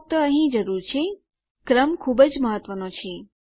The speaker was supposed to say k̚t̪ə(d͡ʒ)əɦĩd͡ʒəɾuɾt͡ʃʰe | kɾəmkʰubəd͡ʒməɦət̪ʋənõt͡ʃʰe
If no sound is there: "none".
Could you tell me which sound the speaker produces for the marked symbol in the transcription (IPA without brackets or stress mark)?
none